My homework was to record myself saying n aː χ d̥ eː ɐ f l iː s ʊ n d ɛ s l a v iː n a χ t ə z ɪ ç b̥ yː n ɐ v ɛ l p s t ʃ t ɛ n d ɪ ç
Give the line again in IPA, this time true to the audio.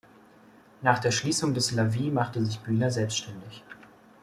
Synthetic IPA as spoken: n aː χ d̥ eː ɐ ʃ l iː s ʊ ŋ d ɛ s l a v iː m a χ t ə z ɪ ç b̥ yː n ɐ z ɛ l p s t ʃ t ɛ n d ɪ ç

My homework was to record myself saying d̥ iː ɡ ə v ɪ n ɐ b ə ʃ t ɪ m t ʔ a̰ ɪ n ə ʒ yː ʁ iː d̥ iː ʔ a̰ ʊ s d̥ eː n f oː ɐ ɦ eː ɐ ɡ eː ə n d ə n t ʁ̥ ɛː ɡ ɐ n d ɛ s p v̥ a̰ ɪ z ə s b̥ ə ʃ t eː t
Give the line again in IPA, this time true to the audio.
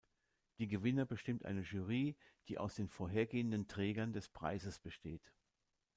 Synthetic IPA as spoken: d̥ iː ɡ ə v ɪ n ɐ b ə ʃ t ɪ m t ʔ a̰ ɪ n ə ʒ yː ʁ iː d̥ iː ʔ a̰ ʊ s d̥ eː n f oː ɐ ɦ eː ɐ ɡ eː ə n d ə n t ʁ̥ ɛː ɡ ɐ n d ɛ s p ʁ̥ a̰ ɪ z ə s b̥ ə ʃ t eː t

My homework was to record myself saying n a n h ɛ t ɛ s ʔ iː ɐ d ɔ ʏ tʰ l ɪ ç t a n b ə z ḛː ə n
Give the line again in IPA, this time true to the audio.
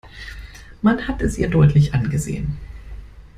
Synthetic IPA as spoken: m a n h a t ɛ s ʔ iː ɐ d ɔ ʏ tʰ l ɪ ç ʔ a n ɡ ə z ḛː ə n

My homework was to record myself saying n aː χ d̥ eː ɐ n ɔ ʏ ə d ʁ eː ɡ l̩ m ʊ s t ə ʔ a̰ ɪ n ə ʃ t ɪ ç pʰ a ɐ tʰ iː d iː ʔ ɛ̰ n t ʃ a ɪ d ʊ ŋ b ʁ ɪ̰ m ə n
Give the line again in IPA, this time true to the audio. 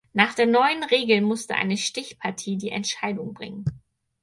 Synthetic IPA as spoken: n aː χ d̥ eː ɐ n ɔ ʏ ə n ʁ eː ɡ l̩ m ʊ s t ə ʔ a̰ ɪ n ə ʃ t ɪ ç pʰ a ɐ tʰ iː d iː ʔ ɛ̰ n t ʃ a ɪ d ʊ ŋ b ʁ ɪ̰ ŋ ə n

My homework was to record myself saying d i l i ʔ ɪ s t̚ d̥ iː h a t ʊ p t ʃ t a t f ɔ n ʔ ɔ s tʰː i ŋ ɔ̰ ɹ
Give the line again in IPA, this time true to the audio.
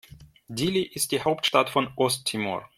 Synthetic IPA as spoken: d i l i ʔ ɪ s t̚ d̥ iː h a ʊ p t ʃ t a t f ɔ n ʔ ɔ s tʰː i m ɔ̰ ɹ

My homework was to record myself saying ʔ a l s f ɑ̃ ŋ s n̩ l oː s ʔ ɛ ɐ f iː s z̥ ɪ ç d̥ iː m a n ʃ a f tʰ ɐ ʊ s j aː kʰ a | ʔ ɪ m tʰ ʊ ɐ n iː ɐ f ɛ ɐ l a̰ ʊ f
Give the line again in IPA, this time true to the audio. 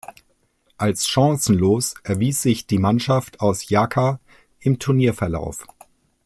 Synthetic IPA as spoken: ʔ a l s ʃ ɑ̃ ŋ s n̩ l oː s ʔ ɛ ɐ v iː s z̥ ɪ ç d̥ iː m a n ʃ a f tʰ a ʊ s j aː kʰ a | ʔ ɪ m tʰ ʊ ɐ n iː ɐ f ɛ ɐ l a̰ ʊ f

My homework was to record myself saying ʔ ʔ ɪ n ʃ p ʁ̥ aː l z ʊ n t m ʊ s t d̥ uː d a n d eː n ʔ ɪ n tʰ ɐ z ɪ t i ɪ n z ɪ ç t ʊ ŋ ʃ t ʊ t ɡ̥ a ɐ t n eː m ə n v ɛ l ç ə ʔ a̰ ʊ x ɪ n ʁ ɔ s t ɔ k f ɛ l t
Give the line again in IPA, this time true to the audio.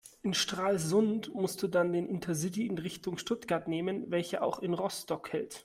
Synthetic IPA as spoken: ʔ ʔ ɪ n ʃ t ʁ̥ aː l z ʊ n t m ʊ s t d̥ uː d a n d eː n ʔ ɪ n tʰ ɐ z ɪ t i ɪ n ʁ ɪ ç t ʊ ŋ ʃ t ʊ t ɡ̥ a ɐ t n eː m ə n v ɛ l ç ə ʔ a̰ ʊ x ɪ n ʁ ɔ s t ɔ k h ɛ l t

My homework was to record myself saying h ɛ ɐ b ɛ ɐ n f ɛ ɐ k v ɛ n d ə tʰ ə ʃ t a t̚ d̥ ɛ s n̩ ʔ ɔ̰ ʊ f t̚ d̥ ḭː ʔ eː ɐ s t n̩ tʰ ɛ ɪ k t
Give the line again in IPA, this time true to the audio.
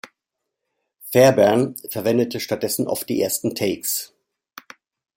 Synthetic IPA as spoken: f ɛ ɐ b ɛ ɐ n f ɛ ɐ v ɛ n d ə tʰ ə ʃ t a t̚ d̥ ɛ s n̩ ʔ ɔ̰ ʊ f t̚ d̥ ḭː ʔ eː ɐ s t n̩ tʰ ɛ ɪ k s

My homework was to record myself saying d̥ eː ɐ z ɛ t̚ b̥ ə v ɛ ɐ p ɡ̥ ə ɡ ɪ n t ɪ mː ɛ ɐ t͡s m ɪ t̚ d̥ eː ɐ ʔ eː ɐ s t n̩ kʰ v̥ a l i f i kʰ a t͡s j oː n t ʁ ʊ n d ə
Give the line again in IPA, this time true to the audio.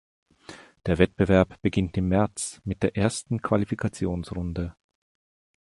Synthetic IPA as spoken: d̥ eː ɐ v ɛ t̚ b̥ ə v ɛ ɐ p b̥ ə ɡ ɪ n t ɪ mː ɛ ɐ t͡s m ɪ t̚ d̥ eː ɐ ʔ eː ɐ s t n̩ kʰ v̥ a l i f i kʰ a t͡s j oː n s ʁ ʊ n d ə

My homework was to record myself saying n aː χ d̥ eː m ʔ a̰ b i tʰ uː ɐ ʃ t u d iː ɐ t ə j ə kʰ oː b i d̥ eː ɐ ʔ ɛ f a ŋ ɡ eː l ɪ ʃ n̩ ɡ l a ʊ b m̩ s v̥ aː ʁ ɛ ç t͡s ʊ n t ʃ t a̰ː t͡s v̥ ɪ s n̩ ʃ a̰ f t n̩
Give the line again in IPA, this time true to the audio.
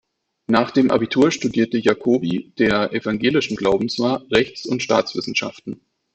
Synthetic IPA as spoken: n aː χ d̥ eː m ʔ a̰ b i tʰ uː ɐ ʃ t u d iː ɐ t ə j a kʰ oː b i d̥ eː ɐ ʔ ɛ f a ŋ ɡ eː l ɪ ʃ n̩ ɡ l a ʊ b m̩ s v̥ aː ʁ ɛ ç t͡s ʊ n t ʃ t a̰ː t͡s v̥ ɪ s n̩ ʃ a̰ f t n̩

